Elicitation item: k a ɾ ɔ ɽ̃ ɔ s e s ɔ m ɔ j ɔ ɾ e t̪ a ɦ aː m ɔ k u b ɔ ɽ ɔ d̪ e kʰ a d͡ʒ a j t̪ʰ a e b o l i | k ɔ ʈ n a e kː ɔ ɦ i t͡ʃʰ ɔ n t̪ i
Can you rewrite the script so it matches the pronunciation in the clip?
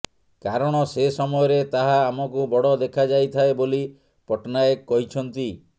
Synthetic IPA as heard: k a ɾ ɔ ɽ̃ ɔ s e s ɔ m ɔ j ɔ ɾ e t̪ a ɦ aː m ɔ k u b ɔ ɽ ɔ d̪ e kʰ a d͡ʒ a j t̪ʰ a e b o l i | p ɔ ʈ n a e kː ɔ ɦ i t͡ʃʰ ɔ n t̪ i